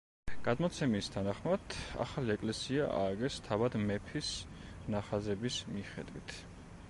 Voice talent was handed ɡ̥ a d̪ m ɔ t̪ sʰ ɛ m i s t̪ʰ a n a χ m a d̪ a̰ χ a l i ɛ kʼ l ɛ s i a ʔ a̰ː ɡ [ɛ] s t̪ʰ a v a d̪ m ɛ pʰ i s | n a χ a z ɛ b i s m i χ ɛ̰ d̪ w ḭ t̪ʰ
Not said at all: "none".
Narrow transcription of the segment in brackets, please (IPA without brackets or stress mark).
ɛ